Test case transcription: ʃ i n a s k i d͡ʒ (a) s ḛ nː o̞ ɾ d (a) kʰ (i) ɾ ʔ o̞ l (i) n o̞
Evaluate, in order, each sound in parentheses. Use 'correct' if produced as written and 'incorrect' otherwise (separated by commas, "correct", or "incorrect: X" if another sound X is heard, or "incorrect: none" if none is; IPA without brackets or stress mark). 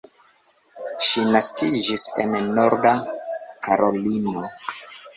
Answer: incorrect: i, correct, incorrect: a, correct